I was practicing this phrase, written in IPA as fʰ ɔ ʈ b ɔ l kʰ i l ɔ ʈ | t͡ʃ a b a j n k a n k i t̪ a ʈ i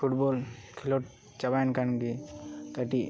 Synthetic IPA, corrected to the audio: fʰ u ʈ b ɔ l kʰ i l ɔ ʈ | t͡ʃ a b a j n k a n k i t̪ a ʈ i